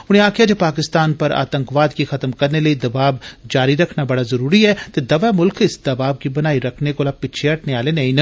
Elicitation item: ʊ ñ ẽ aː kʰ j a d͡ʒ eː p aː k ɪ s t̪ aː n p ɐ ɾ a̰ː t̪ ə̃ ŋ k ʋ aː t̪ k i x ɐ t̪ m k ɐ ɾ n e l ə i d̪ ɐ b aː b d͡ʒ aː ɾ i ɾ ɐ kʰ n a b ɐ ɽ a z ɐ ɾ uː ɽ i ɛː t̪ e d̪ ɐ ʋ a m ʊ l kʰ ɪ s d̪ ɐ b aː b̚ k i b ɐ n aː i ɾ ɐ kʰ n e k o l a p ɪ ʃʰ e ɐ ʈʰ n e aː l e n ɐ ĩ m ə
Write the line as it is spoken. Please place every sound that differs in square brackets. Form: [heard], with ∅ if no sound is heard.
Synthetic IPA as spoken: ʊ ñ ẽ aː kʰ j a d͡ʒ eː p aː k ɪ s t̪ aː n p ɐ ɾ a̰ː t̪ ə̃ ŋ k ʋ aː [d̪] k i x ɐ t̪ m k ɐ ɾ n e l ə i d̪ ɐ b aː b d͡ʒ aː ɾ i ɾ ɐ kʰ n a b ɐ ɽ a z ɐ ɾ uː [ɾ] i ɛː t̪ e d̪ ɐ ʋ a m ʊ l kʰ ɪ s d̪ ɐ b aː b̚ k i b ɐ n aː i ɾ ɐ kʰ n e k o l a p ɪ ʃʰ e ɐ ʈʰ n e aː l e n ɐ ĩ [n] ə